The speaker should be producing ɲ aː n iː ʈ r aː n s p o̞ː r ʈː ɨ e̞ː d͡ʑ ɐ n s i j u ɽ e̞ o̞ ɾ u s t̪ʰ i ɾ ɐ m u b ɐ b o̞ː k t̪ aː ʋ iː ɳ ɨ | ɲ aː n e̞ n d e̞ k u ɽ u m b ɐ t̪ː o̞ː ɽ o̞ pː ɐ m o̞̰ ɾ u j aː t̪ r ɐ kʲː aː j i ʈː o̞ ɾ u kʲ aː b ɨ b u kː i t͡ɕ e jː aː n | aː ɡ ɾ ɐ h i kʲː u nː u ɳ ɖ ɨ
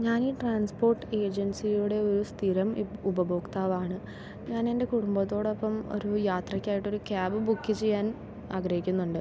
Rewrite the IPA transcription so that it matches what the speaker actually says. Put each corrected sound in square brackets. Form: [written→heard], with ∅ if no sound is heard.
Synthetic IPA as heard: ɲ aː n iː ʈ r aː n s p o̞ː r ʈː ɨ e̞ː d͡ʑ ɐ n s i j u ɽ e̞ o̞ ɾ u s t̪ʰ i ɾ ɐ m u b ɐ b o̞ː k t̪ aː ʋ [iː→aː] ɳ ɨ | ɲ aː n e̞ n d e̞ k u ɽ u m b ɐ t̪ː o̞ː ɽ o̞ pː ɐ m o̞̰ ɾ u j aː t̪ r ɐ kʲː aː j i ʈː o̞ ɾ u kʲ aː b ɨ b u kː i t͡ɕ e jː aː n | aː ɡ ɾ ɐ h i kʲː u nː u ɳ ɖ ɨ